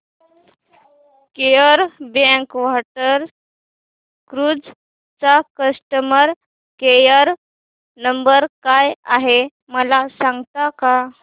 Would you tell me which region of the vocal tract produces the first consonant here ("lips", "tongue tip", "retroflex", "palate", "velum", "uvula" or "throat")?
velum